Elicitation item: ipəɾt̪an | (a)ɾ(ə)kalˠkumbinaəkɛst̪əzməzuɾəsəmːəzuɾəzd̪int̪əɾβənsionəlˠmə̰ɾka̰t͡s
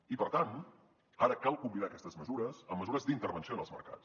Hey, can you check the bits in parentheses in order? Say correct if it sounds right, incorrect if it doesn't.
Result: correct, correct

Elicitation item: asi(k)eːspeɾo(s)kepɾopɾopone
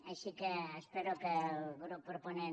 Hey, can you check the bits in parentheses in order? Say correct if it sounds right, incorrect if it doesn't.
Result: correct, incorrect: none

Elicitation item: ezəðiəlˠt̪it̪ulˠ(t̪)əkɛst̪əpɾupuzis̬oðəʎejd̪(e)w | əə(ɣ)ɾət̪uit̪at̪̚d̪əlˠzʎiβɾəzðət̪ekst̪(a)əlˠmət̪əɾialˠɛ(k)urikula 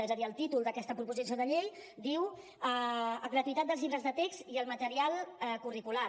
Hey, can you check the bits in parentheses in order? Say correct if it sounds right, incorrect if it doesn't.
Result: incorrect: d̪, incorrect: i, correct, incorrect: i, correct

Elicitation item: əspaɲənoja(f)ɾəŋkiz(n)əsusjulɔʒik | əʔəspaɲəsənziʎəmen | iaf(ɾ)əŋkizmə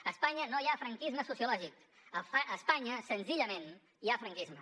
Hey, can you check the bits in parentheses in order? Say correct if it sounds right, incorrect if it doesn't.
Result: correct, incorrect: m, correct

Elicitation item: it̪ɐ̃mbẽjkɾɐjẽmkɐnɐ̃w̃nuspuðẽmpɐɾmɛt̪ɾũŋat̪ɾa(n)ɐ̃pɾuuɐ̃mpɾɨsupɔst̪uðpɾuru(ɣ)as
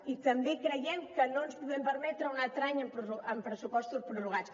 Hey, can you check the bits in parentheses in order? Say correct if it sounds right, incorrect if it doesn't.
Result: incorrect: ɲ, correct

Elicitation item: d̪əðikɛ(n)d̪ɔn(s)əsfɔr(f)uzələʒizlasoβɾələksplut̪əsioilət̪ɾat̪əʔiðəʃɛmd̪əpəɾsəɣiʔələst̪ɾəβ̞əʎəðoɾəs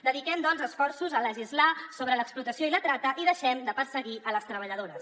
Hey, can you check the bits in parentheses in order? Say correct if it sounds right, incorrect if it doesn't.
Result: incorrect: m, incorrect: z, incorrect: s

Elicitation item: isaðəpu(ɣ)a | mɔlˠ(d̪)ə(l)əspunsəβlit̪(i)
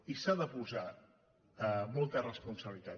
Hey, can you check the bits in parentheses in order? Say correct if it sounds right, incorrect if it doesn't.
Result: incorrect: z, incorrect: t̪, incorrect: r, incorrect: a

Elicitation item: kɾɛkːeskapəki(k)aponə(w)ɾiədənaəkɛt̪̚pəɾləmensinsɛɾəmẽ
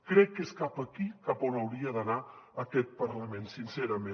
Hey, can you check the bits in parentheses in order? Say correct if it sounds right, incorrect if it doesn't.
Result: correct, correct

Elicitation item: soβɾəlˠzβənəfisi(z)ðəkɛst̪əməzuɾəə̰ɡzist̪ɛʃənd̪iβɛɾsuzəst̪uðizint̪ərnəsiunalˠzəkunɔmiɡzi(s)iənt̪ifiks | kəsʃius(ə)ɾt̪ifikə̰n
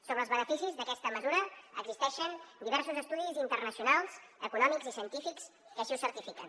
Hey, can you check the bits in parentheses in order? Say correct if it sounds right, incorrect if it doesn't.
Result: correct, correct, correct

